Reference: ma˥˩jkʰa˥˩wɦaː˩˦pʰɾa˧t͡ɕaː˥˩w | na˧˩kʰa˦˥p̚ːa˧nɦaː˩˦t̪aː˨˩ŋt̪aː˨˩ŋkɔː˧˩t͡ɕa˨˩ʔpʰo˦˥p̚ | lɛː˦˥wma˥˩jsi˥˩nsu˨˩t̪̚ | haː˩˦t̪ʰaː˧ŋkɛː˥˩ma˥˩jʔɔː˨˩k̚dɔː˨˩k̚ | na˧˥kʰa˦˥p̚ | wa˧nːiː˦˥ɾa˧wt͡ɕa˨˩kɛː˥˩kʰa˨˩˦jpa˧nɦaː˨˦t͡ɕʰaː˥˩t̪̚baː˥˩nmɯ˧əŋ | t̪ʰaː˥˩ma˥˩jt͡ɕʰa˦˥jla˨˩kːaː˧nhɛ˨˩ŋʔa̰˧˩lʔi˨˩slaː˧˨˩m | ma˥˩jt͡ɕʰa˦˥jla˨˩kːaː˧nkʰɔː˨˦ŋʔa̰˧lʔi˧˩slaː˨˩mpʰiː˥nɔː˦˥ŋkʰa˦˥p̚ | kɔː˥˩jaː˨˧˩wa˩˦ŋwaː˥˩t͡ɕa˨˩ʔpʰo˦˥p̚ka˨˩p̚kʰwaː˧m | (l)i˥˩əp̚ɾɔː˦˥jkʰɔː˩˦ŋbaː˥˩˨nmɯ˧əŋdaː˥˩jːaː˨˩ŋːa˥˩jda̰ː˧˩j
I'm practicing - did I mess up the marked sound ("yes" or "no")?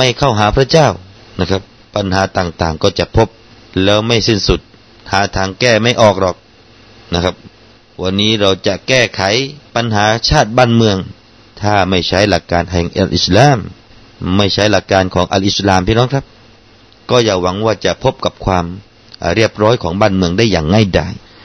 yes